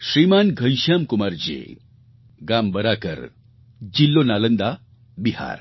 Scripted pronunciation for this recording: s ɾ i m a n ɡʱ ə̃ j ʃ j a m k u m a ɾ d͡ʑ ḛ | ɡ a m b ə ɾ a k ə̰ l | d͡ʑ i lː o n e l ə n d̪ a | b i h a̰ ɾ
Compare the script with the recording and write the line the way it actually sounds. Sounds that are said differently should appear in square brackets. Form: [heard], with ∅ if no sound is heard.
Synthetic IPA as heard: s ɾ i m a n ɡʱ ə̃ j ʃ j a m k u m a ɾ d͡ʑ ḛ | ɡ a m b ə ɾ a k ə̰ [ɾ] | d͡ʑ i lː o n [a] l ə n d̪ a | b i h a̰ ɾ